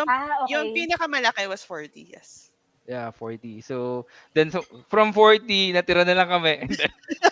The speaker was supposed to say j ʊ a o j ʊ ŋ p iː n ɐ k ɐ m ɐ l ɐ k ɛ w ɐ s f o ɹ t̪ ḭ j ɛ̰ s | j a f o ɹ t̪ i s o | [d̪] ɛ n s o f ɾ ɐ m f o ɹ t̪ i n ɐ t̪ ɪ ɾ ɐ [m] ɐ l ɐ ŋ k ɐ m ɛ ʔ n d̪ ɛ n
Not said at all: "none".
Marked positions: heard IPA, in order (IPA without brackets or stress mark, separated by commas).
d̪, n